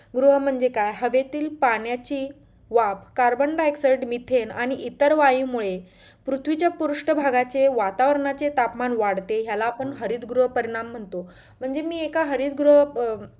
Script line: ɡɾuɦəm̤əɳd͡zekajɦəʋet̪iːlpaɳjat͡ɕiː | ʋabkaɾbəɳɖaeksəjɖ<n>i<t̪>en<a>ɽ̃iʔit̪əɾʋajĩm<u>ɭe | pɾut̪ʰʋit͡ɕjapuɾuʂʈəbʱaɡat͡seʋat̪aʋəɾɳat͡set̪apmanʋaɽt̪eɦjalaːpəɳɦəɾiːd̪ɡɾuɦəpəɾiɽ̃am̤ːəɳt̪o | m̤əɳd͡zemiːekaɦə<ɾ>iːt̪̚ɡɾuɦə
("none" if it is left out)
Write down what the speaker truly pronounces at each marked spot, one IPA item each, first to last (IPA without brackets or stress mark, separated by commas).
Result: m, t̪ʰ, a, u, ɾ